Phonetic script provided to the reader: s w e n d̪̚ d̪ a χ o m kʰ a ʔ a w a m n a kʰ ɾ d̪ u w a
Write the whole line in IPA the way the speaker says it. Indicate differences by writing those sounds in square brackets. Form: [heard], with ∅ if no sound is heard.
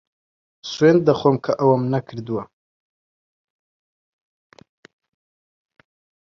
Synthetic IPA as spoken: s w e n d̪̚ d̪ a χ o m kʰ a ʔ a w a m n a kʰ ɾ d̪ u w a